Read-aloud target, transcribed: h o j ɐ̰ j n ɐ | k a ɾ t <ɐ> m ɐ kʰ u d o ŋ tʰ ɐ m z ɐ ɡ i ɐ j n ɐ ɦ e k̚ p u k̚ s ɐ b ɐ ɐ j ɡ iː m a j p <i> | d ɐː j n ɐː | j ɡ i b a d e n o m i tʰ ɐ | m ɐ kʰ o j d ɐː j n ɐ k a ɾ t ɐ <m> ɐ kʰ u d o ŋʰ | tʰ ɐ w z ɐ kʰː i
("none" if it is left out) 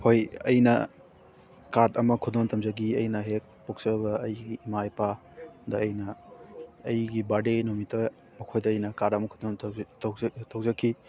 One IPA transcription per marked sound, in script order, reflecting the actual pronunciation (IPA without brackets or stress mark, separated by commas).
ɐ, a, m